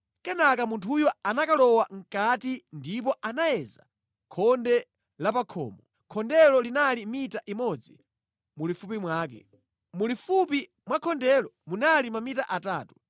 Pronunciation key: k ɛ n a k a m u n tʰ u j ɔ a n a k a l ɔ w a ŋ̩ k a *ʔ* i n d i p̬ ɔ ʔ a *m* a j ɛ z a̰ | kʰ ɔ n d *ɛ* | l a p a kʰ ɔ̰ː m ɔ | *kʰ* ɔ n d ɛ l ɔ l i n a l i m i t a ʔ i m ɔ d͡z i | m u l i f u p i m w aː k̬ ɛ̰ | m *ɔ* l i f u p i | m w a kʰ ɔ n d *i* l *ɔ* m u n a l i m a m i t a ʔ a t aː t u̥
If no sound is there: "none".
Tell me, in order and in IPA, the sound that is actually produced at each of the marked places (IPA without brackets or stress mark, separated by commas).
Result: t, n, ɛ, kʰ, u, ɛ, ɔ